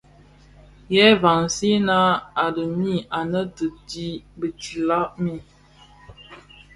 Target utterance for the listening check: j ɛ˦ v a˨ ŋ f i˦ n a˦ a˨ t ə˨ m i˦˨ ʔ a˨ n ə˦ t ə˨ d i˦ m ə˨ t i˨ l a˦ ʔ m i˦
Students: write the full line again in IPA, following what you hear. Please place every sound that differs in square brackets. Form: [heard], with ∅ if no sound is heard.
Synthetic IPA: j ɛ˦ v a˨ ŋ [s] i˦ n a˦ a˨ [d] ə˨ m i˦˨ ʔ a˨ n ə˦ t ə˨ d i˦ [b] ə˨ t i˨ l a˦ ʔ m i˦